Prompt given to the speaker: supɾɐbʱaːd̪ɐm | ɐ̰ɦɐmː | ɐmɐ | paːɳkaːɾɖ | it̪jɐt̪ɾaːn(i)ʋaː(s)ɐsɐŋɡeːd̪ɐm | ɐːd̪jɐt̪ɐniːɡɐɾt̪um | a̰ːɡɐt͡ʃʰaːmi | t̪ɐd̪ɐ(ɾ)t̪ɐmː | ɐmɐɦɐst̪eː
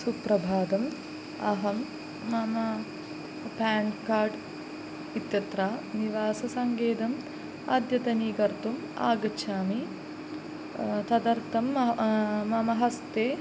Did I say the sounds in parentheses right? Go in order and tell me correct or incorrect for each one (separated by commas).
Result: correct, correct, correct